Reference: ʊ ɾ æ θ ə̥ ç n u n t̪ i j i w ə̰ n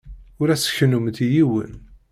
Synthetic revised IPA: ʊ ɾ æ s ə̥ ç n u m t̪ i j i w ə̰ n